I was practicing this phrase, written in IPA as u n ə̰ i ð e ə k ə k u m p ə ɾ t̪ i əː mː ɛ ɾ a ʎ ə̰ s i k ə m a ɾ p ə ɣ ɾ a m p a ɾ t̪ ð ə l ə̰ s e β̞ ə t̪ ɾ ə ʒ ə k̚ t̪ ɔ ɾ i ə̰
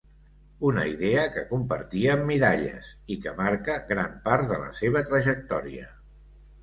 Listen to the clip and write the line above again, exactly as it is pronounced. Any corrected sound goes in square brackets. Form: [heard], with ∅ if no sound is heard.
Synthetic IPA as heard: u n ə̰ i ð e ə k ə k u m p ə ɾ t̪ i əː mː [i] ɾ a ʎ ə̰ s i k ə m a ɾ [k] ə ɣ ɾ a m p a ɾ t̪ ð ə l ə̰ s e β̞ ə t̪ ɾ ə ʒ ə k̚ t̪ ɔ ɾ i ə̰